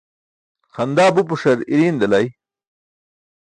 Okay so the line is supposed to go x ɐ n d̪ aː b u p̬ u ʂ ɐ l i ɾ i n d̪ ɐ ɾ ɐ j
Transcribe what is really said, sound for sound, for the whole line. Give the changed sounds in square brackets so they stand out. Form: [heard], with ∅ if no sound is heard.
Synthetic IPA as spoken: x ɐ n d̪ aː b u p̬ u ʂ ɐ [ɾ] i ɾ i n d̪ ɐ [l] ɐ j